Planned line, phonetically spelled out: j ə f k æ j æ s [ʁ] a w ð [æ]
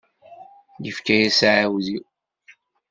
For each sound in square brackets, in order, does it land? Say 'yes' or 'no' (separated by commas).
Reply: no, no